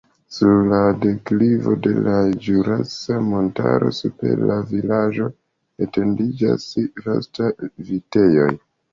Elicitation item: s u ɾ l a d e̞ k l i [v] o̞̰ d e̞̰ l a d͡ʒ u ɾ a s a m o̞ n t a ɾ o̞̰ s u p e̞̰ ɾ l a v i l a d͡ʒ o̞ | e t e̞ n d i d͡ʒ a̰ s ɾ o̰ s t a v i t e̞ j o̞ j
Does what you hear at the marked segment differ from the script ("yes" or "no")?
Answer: no